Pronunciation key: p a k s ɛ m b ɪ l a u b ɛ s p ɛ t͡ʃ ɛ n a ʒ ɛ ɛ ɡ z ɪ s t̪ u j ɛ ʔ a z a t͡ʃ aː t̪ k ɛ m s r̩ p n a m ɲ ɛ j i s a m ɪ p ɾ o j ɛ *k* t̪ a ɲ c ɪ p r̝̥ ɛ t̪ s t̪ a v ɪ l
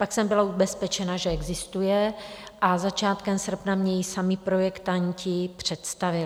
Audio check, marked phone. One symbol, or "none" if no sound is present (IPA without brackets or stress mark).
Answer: k